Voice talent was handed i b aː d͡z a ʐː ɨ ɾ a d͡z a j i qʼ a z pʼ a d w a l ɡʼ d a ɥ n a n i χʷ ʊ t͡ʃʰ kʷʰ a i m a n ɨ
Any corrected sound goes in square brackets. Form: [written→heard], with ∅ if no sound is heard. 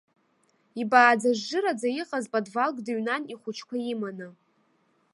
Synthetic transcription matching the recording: i b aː d͡z a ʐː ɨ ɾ a d͡z a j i qʼ a z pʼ a d [w→v] a l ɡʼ d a ɥ n a n i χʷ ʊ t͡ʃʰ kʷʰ a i m a n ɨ